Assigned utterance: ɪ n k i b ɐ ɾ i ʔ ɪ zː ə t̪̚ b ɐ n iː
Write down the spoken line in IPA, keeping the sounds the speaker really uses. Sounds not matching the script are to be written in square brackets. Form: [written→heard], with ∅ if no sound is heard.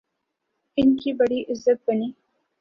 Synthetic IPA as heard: ɪ n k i b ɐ [ɾ→ɽ] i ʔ ɪ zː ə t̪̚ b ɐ n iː